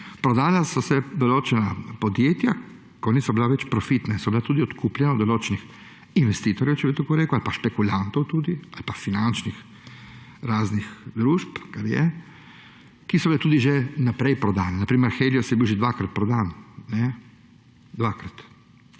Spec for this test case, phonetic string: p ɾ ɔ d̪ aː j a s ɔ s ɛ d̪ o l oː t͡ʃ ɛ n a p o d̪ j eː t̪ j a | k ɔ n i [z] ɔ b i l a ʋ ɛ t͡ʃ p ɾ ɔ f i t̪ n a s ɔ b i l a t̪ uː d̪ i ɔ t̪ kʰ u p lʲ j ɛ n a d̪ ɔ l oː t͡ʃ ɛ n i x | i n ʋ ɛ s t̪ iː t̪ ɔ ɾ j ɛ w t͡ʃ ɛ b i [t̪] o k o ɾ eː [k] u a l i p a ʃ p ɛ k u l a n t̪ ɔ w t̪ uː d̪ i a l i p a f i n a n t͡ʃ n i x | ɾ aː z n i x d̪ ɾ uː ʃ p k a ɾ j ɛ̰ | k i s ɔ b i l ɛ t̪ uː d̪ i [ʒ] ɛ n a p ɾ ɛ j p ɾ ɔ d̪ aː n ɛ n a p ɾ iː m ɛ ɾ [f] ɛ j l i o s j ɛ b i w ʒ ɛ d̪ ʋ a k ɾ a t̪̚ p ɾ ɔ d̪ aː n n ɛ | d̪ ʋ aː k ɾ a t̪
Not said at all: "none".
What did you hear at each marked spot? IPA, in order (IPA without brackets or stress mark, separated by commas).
s, t̪, k, ʒ, x